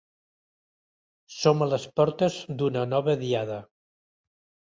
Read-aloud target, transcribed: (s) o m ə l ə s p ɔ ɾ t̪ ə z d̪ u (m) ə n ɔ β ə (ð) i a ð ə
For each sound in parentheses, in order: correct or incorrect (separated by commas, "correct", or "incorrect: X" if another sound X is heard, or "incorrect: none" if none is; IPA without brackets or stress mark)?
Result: correct, incorrect: n, correct